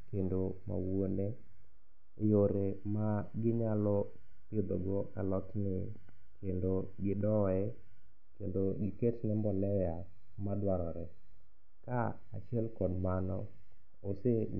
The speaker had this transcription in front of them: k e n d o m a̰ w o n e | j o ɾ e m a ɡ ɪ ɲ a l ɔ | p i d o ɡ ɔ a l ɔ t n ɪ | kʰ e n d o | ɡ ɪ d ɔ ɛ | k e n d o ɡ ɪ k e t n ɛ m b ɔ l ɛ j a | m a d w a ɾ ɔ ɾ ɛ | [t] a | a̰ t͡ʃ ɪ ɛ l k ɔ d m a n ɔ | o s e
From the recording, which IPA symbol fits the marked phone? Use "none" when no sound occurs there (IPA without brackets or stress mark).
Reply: k